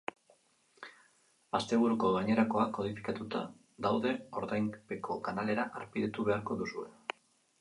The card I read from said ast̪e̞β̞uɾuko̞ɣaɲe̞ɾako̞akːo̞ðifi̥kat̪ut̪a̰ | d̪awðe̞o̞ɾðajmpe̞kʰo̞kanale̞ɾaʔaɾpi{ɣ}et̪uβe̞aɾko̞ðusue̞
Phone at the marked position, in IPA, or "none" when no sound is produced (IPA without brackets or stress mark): ð